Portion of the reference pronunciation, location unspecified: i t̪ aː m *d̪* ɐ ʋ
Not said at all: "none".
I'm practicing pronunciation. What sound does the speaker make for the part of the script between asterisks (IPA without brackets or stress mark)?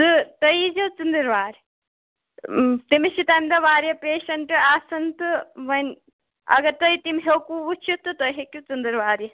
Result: d̪